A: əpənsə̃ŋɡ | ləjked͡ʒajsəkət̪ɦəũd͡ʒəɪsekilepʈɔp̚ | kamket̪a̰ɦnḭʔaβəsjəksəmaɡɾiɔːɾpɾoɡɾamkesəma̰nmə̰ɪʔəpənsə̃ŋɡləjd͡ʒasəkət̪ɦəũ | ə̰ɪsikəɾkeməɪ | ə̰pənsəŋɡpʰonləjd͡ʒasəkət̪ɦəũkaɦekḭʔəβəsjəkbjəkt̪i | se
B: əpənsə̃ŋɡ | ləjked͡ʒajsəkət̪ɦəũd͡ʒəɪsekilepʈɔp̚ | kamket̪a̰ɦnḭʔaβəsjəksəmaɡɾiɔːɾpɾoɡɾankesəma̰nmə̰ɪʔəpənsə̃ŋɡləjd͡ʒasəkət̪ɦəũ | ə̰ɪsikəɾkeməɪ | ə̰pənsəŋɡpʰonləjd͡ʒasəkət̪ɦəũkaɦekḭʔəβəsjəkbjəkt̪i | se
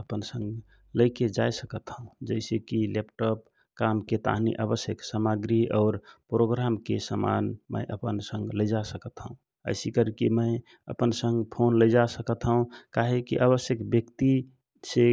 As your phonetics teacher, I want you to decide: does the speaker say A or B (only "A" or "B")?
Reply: A